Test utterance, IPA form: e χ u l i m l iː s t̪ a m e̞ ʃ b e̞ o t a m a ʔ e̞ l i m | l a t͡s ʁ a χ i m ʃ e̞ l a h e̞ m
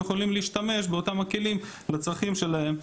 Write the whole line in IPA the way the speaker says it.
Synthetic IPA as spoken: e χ o l i m l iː ʃ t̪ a m e̞ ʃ b e̞ o t a m a k e̞ l i m | l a t͡s ʁ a χ i m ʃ e̞ l a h e̞ m